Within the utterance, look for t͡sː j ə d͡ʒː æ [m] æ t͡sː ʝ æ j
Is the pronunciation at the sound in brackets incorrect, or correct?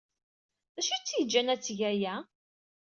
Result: incorrect